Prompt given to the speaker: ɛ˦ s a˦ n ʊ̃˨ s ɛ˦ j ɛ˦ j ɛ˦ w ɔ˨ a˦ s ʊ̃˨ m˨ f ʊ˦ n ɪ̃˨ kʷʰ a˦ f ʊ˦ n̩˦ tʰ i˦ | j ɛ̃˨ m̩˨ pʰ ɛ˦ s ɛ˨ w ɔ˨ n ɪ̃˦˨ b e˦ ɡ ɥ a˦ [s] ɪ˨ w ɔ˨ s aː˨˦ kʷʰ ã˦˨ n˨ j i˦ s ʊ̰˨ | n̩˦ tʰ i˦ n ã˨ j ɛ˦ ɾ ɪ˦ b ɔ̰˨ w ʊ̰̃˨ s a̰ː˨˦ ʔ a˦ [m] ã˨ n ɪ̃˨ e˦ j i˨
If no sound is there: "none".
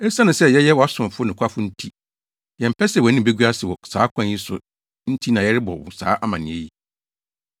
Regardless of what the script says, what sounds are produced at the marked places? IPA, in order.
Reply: s, m

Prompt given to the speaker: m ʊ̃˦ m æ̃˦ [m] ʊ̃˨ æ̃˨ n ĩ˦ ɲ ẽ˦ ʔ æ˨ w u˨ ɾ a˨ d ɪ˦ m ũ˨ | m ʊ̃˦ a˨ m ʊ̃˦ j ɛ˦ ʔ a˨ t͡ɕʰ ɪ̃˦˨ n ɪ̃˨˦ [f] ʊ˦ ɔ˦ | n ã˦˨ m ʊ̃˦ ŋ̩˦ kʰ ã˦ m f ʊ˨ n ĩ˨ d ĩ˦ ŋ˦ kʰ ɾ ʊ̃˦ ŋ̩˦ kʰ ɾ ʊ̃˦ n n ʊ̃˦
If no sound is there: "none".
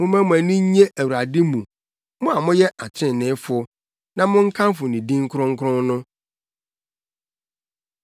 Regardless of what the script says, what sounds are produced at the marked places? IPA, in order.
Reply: m, f

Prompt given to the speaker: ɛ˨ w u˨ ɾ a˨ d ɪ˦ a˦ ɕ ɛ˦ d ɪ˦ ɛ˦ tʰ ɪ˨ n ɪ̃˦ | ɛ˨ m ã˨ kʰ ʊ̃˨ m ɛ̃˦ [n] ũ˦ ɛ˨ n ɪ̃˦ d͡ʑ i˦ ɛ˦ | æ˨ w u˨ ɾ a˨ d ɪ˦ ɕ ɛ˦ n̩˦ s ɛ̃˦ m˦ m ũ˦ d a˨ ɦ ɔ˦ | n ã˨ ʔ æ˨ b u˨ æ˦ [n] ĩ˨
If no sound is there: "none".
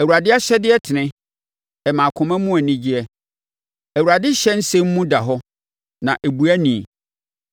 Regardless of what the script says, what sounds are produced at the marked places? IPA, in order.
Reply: m, n

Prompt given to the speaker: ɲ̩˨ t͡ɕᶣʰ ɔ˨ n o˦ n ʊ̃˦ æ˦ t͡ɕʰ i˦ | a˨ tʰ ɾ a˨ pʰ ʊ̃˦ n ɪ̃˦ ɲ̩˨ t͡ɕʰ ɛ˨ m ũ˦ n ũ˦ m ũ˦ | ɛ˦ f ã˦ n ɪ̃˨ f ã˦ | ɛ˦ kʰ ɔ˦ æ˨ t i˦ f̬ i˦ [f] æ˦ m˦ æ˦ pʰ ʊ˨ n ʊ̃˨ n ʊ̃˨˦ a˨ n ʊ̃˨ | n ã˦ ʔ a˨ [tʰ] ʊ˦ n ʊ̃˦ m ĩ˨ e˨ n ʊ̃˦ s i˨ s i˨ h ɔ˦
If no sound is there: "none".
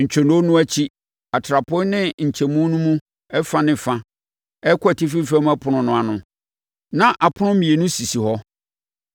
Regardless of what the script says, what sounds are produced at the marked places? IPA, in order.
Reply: f, pʰ

